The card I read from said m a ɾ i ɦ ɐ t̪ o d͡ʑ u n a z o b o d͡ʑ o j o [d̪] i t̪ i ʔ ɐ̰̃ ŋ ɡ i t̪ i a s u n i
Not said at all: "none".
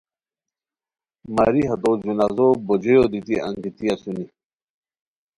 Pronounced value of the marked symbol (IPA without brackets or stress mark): d̪